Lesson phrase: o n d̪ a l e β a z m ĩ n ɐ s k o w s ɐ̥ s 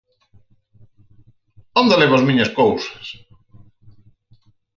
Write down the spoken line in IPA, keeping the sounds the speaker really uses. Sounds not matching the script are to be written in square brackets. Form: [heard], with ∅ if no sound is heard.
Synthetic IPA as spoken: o n d̪ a l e β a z m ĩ [ɲ] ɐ s k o w s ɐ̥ s